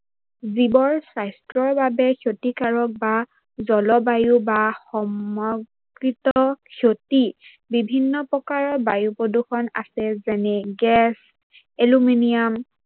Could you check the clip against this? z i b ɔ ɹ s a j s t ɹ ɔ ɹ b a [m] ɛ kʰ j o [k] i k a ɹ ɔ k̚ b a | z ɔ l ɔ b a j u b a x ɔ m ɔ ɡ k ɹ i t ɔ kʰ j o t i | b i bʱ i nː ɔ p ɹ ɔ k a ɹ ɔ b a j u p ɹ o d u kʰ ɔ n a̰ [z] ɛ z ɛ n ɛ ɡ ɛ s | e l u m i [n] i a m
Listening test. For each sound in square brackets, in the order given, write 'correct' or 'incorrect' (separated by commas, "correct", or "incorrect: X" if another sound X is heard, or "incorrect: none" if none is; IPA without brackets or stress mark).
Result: incorrect: b, incorrect: t, incorrect: s, correct